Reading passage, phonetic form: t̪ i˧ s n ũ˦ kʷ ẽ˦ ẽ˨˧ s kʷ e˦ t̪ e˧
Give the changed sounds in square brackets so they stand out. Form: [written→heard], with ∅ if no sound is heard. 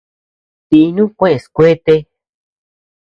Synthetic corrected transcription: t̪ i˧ [s→∅] n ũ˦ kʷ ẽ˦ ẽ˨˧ s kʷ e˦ t̪ e˧